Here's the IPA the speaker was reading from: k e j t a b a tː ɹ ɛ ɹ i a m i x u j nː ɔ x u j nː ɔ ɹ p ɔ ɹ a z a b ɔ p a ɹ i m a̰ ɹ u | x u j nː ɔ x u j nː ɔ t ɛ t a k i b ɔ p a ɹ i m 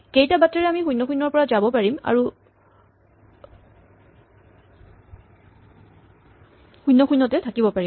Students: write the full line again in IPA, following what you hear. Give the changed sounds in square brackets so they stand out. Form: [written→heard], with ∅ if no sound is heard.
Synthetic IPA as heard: k e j t a b a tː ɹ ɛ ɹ [i→ɛ] a m i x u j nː ɔ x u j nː ɔ ɹ p ɔ ɹ a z a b ɔ p a ɹ i m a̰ ɹ u | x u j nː ɔ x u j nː ɔ t ɛ [t→tʰ] a k i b ɔ p a ɹ i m

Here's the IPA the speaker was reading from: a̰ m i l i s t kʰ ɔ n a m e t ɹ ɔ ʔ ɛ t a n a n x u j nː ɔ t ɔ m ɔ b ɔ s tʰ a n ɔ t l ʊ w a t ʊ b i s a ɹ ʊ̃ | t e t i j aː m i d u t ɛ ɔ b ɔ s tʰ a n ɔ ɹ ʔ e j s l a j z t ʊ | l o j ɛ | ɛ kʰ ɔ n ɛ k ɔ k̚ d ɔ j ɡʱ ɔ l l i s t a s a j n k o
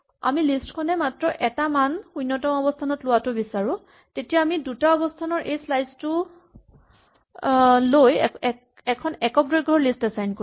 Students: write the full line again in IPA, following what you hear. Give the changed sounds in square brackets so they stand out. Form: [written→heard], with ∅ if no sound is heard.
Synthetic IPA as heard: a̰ m i l i s t kʰ ɔ n [a→ɛ] m [e→a] t ɹ ɔ ʔ ɛ t a [n→m] a n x u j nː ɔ t ɔ m ɔ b ɔ s tʰ a n ɔ t l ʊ w a t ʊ b i s a ɹ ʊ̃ | t e t i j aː m i d u t [ɛ→a] ɔ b ɔ s tʰ a n ɔ ɹ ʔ e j s l a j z t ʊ | l o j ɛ | ɛ kʰ ɔ n ɛ k ɔ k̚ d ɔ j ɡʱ ɔ [l→ɹ] l i s t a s a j n k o

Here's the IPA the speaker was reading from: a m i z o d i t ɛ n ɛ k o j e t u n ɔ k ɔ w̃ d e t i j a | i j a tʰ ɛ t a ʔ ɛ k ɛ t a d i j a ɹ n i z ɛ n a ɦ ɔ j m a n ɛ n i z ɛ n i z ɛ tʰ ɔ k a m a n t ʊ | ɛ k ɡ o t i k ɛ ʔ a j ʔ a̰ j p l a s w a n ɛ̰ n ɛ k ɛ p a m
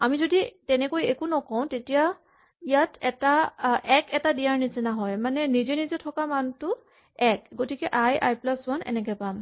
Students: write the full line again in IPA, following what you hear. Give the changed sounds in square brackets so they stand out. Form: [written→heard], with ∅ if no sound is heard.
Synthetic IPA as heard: a m i z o d i t ɛ n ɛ k o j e [t→k] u n ɔ k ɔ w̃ [d→t] e t i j a | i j a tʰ ɛ t a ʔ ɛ k ɛ t a d i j a ɹ n i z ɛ n a ɦ ɔ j m a n ɛ n i z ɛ n i z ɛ tʰ ɔ k a m a n t ʊ | ɛ k ɡ o t i k ɛ ʔ a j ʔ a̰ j p l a s w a n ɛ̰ n ɛ k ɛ p a m

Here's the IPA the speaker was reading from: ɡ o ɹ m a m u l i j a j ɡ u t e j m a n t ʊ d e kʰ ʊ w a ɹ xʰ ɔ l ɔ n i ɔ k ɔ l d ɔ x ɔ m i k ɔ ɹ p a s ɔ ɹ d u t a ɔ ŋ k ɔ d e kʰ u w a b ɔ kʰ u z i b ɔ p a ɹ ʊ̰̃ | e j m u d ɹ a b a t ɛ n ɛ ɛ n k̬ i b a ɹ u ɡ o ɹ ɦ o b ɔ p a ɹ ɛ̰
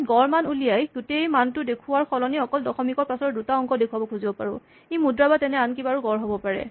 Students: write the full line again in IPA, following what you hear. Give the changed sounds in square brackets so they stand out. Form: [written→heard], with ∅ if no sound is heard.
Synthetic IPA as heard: ɡ [o→ɔ] ɹ m a [m→n] u l i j a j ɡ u t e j m a n t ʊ d e kʰ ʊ w a ɹ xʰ ɔ l ɔ n i ɔ k ɔ l d ɔ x ɔ m i k ɔ ɹ p a s ɔ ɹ d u t a ɔ ŋ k ɔ d e kʰ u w a b ɔ kʰ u z i b ɔ p a ɹ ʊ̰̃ | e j m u d ɹ a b a t ɛ n ɛ [ɛ→a] n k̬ i b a ɹ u ɡ [o→ɔ] ɹ ɦ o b ɔ p a ɹ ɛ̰

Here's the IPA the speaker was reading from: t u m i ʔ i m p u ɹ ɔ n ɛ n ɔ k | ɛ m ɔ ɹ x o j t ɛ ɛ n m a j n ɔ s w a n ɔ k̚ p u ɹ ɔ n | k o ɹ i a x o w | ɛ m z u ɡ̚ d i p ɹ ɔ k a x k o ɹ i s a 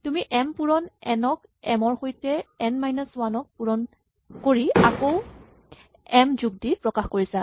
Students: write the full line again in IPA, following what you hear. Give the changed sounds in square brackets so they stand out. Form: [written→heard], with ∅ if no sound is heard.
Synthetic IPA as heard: t u m i ʔ [i→ɛ] m p u ɹ ɔ n ɛ n ɔ k | ɛ m ɔ ɹ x o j t ɛ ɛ n m a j n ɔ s w a n ɔ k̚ p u ɹ ɔ n | k o ɹ i a [x→k] o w | ɛ m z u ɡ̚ d i p ɹ ɔ k a x k o ɹ i s a

